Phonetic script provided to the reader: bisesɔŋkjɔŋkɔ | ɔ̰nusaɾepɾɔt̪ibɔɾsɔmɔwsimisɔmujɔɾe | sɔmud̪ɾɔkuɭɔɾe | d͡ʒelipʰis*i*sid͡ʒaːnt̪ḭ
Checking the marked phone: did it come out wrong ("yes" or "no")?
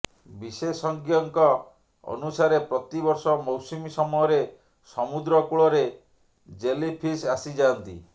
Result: yes